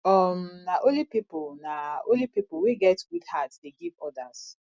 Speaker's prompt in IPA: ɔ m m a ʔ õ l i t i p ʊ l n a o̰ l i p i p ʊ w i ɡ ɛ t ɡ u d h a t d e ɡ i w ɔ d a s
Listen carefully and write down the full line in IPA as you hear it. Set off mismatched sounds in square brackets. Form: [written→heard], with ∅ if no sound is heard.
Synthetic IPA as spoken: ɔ m [m→n] a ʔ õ l i [t→p] i p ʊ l n a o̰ l i p i p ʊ w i ɡ ɛ t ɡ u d h a t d e ɡ i [w→v] ɔ d a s